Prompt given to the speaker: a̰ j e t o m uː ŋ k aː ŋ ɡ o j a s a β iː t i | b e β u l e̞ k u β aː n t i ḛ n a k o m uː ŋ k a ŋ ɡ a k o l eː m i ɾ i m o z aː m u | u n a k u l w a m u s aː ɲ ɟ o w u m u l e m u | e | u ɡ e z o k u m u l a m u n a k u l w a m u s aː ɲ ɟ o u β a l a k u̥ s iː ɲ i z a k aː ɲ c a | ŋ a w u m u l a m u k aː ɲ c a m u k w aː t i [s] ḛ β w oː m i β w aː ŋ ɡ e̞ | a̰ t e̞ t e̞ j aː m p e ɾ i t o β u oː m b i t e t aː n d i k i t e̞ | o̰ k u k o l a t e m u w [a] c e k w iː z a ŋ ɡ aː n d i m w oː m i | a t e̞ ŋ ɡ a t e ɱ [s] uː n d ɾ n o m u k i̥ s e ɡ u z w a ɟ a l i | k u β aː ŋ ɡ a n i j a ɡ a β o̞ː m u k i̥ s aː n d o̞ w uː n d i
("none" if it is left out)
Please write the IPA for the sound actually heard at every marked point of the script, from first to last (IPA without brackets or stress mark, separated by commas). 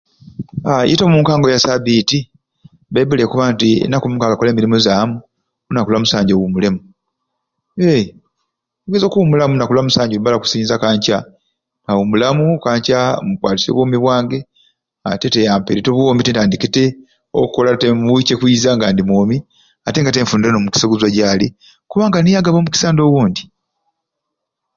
s, i, f